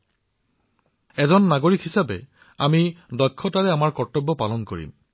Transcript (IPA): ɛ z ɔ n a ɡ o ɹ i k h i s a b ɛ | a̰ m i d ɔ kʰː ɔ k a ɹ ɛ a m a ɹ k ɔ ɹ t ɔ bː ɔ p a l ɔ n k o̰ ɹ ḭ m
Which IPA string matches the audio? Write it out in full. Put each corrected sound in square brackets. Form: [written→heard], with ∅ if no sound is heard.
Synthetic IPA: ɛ z ɔ [n→nː] a ɡ o ɹ i k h i s a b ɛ | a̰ m i d ɔ kʰː ɔ [k→t] a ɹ ɛ a m a ɹ k ɔ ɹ t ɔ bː ɔ p a l ɔ n k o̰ ɹ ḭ m